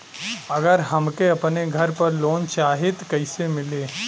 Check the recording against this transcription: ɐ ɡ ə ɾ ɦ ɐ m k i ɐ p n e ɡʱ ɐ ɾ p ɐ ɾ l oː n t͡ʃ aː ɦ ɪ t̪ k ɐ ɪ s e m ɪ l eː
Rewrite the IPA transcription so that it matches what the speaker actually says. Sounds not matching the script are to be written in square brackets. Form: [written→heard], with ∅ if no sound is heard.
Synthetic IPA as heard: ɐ ɡ ə ɾ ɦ ɐ m k [i→e] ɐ p n e ɡʱ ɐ ɾ p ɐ ɾ l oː n t͡ʃ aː ɦ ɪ t̪ k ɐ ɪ s e m ɪ l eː